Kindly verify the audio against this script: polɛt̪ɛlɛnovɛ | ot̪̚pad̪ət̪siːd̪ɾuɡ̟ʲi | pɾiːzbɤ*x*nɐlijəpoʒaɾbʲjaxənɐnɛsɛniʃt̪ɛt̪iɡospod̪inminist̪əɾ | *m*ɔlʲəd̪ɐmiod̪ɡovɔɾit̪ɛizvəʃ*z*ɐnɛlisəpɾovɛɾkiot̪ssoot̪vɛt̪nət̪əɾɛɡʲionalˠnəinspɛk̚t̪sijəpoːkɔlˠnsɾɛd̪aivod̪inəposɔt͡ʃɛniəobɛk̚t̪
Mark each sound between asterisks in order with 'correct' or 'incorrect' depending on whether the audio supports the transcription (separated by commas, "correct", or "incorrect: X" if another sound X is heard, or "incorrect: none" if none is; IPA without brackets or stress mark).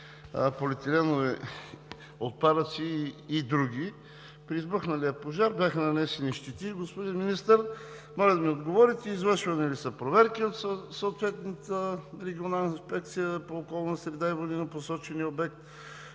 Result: correct, correct, incorrect: v